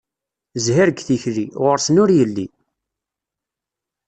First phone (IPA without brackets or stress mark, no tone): z